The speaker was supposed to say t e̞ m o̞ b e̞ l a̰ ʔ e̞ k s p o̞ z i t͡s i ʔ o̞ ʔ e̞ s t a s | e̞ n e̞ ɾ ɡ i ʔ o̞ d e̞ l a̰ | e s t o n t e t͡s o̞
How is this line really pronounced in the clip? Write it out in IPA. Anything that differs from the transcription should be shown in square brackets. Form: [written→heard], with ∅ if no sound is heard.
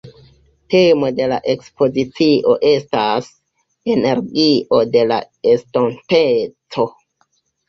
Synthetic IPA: t e̞ m o̞ [b→d] e̞ l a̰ ʔ e̞ k s p o̞ z i t͡s i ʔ o̞ ʔ e̞ s t a s | e̞ n e̞ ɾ ɡ i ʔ o̞ d e̞ l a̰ | e s t o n t e t͡s o̞